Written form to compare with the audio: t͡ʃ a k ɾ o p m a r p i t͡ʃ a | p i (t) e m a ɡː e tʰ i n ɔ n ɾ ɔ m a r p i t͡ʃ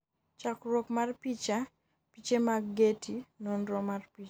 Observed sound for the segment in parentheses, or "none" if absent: t͡ʃ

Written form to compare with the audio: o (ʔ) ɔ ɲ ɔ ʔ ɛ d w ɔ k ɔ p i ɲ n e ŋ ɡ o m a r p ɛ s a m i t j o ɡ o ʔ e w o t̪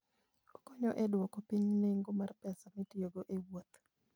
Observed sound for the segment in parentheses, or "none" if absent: k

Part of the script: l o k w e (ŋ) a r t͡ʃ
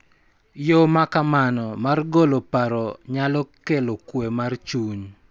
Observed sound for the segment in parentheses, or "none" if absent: m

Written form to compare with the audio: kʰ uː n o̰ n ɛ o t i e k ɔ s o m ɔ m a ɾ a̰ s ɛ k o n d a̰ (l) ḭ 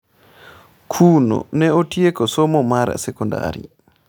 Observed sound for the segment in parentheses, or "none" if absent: ɾ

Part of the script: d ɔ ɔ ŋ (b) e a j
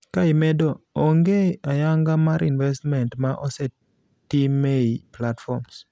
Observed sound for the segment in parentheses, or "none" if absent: ɡ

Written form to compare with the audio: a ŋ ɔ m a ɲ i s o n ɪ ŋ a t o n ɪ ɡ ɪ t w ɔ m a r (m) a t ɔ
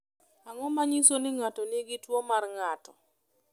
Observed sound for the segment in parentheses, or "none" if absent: ŋ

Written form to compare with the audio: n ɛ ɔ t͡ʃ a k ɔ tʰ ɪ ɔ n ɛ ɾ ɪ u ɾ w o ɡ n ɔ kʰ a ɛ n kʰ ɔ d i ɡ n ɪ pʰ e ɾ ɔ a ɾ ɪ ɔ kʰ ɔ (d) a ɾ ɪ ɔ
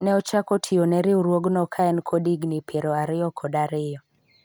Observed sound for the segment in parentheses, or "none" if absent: d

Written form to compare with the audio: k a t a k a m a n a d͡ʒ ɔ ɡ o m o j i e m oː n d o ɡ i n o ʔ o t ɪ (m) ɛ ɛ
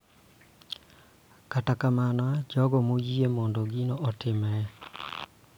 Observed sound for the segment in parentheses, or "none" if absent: m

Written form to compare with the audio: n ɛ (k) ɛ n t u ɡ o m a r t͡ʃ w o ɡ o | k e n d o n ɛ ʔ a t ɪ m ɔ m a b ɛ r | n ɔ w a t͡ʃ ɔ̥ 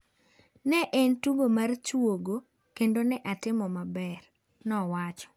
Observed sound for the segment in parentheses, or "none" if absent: ʔ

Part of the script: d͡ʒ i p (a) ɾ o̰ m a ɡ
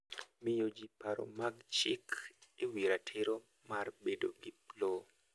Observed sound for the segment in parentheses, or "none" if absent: a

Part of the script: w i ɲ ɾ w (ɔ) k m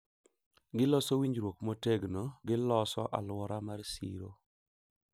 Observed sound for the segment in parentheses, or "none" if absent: o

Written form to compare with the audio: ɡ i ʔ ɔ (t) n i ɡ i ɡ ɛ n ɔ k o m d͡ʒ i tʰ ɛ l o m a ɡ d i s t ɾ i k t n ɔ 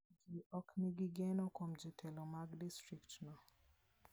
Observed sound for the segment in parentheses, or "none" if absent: k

